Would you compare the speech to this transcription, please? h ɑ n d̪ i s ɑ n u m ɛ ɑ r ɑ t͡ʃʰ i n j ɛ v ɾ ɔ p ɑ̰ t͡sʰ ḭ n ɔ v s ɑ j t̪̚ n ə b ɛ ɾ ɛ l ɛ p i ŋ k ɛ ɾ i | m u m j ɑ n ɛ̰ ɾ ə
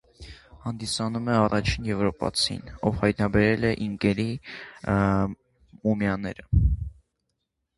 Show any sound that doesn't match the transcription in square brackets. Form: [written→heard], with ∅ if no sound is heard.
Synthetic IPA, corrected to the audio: h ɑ n d̪ i s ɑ n u m ɛ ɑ r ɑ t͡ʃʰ i n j ɛ v ɾ ɔ p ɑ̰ t͡sʰ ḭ n ɔ v [s→h] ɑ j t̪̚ n [ə→ɑ] b ɛ ɾ ɛ l ɛ [p→ʔ] i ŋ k ɛ ɾ i | m u m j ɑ n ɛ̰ ɾ ə